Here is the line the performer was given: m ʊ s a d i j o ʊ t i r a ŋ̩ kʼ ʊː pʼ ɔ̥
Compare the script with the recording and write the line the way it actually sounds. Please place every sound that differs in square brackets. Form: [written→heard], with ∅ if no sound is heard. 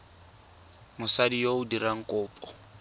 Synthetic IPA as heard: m ʊ s a d i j o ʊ [t→d] i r a ŋ̩ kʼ ʊː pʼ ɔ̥